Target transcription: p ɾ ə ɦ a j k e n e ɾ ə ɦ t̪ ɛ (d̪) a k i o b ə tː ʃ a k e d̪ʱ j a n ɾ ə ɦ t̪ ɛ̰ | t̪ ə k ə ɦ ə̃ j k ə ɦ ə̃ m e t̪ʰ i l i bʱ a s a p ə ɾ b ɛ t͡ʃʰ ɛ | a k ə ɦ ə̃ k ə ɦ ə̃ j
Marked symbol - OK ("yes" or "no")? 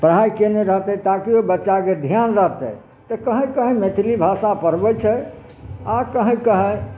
no